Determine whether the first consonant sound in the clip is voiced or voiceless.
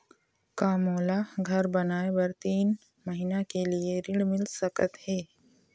voiceless